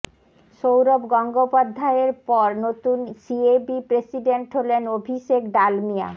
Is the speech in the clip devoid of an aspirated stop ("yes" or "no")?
yes